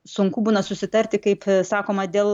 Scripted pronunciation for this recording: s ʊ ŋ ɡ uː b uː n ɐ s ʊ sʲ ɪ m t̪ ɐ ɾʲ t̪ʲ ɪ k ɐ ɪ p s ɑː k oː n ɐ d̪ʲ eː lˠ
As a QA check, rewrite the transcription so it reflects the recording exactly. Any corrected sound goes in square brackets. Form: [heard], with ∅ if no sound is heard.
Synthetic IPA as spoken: s ʊ ŋ [k] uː b uː n ɐ s ʊ sʲ ɪ [∅] t̪ ɐ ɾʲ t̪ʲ ɪ k ɐ ɪ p s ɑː k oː [m] ɐ d̪ʲ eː lˠ